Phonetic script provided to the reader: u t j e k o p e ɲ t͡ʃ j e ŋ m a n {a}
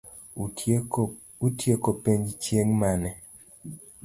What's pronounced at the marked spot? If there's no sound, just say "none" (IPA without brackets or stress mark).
ɛ